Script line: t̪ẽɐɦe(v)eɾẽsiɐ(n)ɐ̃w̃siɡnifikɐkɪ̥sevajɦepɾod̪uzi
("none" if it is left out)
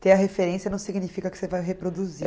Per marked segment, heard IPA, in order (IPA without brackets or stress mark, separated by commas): f, n